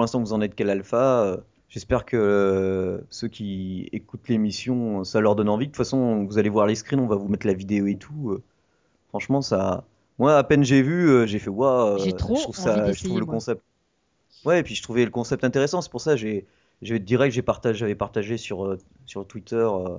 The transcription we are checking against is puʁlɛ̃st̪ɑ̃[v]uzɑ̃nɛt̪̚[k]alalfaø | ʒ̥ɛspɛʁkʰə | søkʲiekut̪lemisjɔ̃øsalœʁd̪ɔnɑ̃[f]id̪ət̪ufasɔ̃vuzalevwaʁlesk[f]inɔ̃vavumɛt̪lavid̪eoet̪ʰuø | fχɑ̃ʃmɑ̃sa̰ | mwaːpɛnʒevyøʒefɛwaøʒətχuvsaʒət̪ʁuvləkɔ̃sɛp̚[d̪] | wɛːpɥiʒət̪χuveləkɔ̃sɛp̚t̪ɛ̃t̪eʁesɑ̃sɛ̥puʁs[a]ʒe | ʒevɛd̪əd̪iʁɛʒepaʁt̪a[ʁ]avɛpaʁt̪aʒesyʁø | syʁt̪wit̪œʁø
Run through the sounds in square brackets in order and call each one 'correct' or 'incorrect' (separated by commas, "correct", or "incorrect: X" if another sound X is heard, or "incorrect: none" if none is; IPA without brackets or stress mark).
correct, correct, incorrect: v, incorrect: χ, incorrect: t̪, correct, incorrect: ʒ